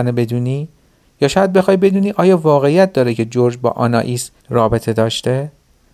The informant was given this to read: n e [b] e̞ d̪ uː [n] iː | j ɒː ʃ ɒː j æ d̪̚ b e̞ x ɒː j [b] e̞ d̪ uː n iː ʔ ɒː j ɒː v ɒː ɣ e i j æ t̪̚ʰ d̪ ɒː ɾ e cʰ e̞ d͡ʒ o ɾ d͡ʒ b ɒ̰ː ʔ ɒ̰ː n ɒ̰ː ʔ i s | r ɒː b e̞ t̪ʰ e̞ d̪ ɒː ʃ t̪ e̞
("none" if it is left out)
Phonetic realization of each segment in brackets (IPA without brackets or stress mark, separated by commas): b, n, b